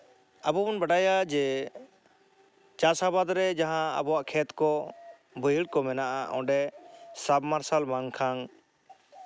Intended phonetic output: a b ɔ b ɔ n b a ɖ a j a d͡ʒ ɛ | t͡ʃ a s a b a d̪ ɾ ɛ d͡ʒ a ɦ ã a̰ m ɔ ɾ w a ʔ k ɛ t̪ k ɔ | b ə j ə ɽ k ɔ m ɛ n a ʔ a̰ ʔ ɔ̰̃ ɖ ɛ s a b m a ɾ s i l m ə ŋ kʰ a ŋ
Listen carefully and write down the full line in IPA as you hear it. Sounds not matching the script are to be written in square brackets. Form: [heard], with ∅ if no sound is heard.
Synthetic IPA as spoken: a b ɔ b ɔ n b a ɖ a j a d͡ʒ ɛ | t͡ʃ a s a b a d̪ ɾ ɛ d͡ʒ a ɦ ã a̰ [b] ɔ [∅] w a ʔ [kʰ] ɛ t̪ k ɔ | b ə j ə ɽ k ɔ m ɛ n a ʔ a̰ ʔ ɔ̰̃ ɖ ɛ s a b m a ɾ s [a] l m [a] ŋ kʰ a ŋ